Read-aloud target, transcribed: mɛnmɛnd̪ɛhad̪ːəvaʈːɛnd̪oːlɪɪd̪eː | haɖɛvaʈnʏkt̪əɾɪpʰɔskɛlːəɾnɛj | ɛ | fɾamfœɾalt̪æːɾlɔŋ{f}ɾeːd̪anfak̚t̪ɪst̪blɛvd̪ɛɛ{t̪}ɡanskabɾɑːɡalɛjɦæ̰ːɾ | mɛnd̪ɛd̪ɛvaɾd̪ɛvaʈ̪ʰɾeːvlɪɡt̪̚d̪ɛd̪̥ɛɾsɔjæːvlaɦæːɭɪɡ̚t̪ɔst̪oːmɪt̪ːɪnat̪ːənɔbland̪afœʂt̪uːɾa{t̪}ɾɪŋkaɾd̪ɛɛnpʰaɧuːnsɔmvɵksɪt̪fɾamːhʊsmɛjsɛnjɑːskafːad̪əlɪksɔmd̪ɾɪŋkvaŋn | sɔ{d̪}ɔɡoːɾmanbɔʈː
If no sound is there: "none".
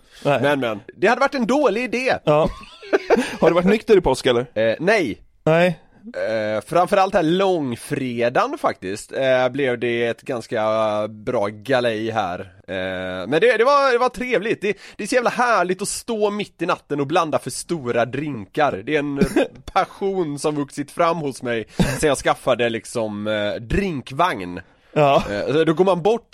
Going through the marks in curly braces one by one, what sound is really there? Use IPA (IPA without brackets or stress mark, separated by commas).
f, t̪, d̪, d̪